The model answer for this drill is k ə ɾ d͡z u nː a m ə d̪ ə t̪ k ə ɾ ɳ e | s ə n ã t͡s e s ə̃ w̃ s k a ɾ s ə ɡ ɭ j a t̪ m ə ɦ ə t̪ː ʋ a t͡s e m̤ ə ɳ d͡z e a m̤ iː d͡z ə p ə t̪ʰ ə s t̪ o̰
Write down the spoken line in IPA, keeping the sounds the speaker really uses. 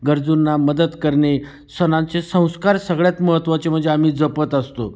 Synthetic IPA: ɡ ə ɾ d͡z u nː a m ə d̪ ə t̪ k ə ɾ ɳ e | s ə n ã t͡s e s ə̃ w̃ s k a ɾ s ə ɡ ɭ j a t̪ m ə ɦ ə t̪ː ʋ a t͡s e m̤ ə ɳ d͡z e a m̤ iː d͡z ə p ə t̪ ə s t̪ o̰